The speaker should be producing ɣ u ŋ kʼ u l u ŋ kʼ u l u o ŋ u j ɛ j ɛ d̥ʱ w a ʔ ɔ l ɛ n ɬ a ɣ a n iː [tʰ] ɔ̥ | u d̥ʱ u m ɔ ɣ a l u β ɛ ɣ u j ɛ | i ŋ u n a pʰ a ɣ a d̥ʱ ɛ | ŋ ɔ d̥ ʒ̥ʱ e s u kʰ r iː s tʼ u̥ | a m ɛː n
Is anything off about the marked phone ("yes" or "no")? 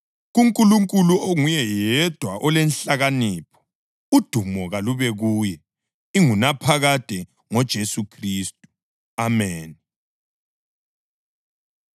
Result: yes